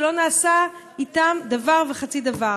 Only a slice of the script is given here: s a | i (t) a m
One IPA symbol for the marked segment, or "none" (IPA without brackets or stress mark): t